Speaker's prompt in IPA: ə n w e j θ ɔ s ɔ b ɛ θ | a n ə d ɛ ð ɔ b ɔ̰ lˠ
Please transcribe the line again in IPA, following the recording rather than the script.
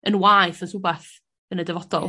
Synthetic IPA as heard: ə n w a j θ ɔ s u b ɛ θ | ə n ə d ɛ v ɔ d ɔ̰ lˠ